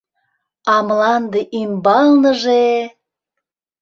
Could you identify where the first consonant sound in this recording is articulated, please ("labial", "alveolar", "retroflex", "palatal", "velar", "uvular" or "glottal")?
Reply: labial